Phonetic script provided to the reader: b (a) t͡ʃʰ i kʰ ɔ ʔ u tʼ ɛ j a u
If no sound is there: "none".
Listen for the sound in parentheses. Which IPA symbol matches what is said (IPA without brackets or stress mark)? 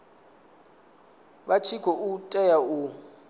a